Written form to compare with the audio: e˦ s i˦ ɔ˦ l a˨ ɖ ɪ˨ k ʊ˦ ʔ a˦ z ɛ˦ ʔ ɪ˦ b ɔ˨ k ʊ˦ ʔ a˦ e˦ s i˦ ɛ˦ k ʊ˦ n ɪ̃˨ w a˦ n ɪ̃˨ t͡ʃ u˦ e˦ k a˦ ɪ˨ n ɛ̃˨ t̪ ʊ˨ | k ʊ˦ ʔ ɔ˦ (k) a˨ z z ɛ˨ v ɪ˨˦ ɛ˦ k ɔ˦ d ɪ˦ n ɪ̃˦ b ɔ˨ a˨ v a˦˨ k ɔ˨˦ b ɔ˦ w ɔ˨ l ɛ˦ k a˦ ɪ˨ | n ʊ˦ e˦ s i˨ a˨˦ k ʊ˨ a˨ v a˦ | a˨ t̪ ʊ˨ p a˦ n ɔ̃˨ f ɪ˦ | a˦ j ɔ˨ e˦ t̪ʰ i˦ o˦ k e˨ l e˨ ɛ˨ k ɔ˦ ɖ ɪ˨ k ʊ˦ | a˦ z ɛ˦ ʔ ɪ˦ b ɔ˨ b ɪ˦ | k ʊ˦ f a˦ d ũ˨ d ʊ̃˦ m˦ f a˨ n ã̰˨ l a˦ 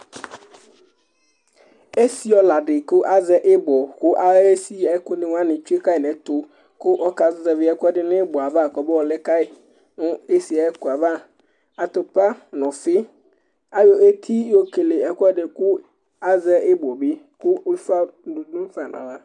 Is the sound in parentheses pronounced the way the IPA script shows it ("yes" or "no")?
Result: yes